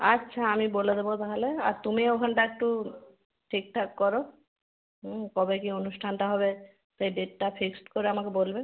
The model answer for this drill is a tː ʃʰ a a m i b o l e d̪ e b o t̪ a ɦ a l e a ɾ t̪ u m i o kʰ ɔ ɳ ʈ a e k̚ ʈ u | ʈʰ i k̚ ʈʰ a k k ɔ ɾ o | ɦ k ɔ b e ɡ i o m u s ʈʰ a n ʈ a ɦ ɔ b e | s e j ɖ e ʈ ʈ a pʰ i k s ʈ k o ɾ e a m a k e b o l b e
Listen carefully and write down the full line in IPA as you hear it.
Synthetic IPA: a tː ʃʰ a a m i b o l e d̪ e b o t̪ a ɦ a l e a ɾ t̪ u m i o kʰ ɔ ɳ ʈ a e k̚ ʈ u | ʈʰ i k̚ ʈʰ a k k ɔ ɾ o | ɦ k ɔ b e k i o n u s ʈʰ a n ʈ a ɦ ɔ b e | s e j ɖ e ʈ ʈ a pʰ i k s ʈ k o ɾ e a m a k e b o l b e